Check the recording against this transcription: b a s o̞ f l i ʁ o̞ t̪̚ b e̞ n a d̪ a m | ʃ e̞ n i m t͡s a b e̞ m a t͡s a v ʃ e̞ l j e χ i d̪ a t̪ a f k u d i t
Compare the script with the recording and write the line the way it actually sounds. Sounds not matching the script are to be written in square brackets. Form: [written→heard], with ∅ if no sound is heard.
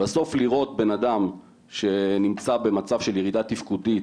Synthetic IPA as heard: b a s o̞ f l i ʁ o̞ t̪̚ b e̞ n a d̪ a m | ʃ e̞ n i m t͡s a b e̞ m a t͡s a v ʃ e̞ l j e [χ→ʁ] i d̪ a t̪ [a→i] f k u d i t